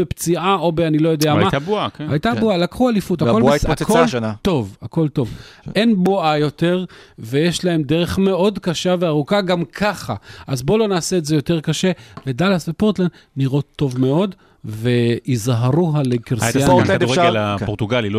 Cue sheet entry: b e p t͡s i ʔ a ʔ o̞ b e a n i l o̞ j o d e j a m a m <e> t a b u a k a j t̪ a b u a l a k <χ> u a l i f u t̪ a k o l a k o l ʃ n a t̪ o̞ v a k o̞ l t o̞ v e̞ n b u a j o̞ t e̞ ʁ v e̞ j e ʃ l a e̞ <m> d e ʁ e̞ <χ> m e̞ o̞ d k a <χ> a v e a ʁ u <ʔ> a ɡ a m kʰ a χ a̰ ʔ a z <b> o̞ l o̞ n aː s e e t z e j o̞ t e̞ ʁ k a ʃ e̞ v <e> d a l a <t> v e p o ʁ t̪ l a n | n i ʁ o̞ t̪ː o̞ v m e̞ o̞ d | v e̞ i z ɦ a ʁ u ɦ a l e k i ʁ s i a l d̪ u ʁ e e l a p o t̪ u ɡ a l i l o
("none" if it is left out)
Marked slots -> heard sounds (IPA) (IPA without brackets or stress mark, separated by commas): a, χ, m, χ, ʃ, k, b, e, s